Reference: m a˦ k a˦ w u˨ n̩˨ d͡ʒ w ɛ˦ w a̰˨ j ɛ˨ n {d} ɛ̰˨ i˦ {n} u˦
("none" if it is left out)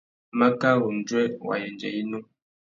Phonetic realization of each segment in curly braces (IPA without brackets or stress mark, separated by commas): d͡ʒ, n